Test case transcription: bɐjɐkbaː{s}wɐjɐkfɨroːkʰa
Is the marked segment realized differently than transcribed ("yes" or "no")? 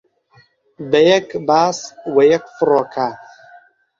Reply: no